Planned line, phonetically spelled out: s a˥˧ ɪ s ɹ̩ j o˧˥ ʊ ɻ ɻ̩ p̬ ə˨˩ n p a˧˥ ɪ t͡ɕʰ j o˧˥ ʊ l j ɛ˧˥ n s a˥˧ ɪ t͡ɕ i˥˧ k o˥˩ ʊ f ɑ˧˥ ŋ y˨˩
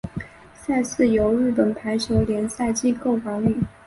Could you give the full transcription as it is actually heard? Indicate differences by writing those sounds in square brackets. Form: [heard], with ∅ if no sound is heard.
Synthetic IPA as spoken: s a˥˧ ɪ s ɹ̩ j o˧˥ ʊ ɻ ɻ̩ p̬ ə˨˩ n [pʰ] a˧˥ ɪ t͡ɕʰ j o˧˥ ʊ l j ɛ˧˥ n s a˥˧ ɪ t͡ɕ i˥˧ k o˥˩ ʊ f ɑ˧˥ ŋ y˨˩